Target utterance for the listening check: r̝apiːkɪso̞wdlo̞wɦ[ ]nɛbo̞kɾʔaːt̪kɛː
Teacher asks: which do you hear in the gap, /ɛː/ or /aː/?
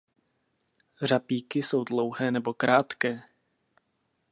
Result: ɛː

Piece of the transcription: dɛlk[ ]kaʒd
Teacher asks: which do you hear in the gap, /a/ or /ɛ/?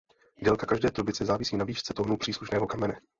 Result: a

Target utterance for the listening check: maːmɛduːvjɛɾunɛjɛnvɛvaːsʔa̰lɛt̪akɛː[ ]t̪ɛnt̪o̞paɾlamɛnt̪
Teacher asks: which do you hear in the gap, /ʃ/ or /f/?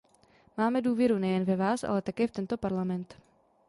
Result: f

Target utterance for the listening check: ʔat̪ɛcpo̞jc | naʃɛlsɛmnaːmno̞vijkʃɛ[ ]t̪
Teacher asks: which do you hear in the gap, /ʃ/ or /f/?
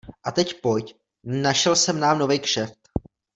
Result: f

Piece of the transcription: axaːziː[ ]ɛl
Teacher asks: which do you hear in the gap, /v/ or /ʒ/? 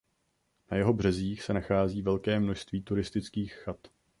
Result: v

